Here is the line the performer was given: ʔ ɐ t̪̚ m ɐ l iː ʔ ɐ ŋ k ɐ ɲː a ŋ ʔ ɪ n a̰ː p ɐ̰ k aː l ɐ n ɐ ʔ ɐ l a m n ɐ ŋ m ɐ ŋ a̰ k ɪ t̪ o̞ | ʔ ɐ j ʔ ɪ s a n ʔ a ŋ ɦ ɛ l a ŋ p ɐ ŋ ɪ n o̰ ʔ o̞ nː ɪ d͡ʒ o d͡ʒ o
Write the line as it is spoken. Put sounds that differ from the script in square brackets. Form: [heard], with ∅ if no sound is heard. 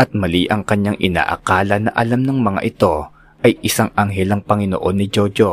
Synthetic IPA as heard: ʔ ɐ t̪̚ m ɐ l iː ʔ ɐ ŋ k ɐ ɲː a ŋ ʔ ɪ n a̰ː [ʔ] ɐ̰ k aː l ɐ n ɐ ʔ ɐ l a m n ɐ ŋ m ɐ ŋ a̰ [ʔ] ɪ t̪ o̞ | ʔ ɐ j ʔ ɪ s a [ŋ] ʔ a ŋ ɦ ɛ l [ɐ] ŋ p ɐ ŋ ɪ n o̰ ʔ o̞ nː ɪ d͡ʒ o d͡ʒ o